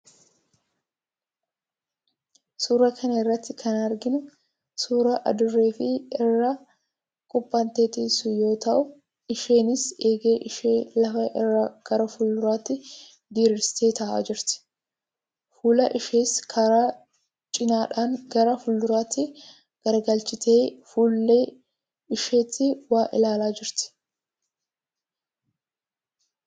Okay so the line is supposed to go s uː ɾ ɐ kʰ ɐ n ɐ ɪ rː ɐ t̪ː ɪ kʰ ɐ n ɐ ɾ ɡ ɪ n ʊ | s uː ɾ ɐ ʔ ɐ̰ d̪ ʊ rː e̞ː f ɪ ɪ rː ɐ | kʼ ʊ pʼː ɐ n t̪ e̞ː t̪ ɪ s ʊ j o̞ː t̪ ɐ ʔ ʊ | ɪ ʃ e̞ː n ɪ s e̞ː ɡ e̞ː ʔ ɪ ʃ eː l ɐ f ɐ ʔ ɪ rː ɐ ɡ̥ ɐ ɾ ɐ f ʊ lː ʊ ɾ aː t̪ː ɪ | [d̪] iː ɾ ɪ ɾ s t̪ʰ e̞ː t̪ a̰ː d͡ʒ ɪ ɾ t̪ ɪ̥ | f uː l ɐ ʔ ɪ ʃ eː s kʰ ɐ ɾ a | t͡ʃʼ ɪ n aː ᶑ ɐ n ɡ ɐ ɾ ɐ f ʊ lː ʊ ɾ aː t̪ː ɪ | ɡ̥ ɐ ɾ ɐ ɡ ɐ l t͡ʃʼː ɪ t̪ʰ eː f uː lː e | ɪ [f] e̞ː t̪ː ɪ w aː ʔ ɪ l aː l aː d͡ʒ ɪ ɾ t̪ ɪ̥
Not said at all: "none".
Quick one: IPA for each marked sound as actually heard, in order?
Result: d̪, ʃ

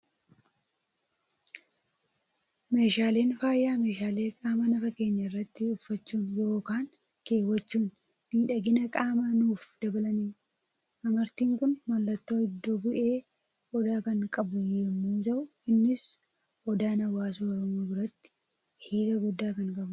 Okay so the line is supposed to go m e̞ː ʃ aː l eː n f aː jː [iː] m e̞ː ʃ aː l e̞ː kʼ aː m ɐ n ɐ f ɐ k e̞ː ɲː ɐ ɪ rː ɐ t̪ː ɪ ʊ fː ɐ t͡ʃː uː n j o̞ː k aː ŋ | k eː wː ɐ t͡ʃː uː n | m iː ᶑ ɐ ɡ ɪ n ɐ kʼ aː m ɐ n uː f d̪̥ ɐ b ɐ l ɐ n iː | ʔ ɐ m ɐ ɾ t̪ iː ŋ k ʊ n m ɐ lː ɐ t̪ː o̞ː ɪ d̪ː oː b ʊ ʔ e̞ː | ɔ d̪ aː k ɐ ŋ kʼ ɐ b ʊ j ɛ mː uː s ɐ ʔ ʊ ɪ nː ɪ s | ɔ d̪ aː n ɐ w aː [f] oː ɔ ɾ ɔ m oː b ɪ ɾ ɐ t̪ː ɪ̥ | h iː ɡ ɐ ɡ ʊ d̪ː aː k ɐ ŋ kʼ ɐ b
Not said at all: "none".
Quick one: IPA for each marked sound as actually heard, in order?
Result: aː, s

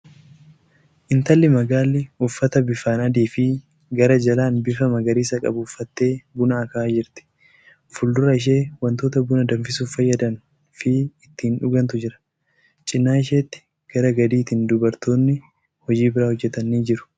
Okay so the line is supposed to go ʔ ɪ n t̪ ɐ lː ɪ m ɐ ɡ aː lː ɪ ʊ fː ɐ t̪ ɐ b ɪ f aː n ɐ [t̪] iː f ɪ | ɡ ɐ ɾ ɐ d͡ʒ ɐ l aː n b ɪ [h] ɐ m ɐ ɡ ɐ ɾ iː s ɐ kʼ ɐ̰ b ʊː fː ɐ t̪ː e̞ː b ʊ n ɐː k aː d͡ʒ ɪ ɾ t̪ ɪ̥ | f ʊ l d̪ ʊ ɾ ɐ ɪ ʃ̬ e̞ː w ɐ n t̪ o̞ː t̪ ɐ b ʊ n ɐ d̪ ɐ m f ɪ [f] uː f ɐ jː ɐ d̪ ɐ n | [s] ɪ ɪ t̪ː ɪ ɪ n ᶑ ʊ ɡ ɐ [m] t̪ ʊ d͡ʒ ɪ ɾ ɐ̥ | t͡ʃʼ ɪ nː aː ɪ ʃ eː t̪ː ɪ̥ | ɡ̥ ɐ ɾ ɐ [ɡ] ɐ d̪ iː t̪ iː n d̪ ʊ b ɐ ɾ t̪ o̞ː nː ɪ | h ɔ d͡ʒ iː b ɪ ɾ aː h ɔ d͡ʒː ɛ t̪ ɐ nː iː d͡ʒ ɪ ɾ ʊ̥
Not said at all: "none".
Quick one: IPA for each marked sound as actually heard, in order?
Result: d̪, f, s, f, n, ɡ

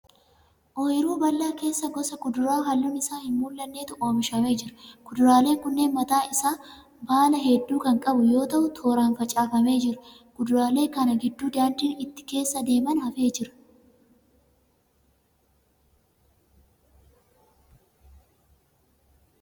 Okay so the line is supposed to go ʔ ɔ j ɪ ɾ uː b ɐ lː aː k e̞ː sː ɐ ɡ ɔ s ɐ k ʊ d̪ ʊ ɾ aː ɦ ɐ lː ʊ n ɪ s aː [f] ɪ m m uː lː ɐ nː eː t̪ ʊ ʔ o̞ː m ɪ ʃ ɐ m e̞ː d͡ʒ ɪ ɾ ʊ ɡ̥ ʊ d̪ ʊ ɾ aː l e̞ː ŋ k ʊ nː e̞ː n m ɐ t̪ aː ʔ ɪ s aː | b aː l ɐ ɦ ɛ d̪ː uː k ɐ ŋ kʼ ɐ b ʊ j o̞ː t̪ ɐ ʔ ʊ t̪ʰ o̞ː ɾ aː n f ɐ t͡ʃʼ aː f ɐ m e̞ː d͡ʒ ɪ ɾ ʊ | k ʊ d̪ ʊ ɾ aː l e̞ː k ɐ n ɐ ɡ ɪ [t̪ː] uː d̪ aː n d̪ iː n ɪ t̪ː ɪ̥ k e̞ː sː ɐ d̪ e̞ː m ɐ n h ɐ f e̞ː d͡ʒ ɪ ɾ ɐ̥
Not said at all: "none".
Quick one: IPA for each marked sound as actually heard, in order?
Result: h, d̪ː

